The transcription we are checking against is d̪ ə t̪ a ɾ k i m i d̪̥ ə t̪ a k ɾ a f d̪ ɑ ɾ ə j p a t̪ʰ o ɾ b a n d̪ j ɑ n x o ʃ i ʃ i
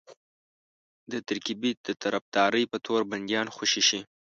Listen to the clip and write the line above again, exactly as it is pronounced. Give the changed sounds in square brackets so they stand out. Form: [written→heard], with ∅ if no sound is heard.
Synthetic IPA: d̪ ə t̪ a ɾ k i [m→b] i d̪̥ ə t̪ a [k→∅] ɾ a f d̪ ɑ ɾ ə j p [a→ə] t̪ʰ o ɾ b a n d̪ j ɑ n x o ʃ i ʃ i